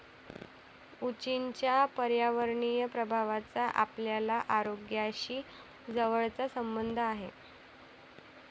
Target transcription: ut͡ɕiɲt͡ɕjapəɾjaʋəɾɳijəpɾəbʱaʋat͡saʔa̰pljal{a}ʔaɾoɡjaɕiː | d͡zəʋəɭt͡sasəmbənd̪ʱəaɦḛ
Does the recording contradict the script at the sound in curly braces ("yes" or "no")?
no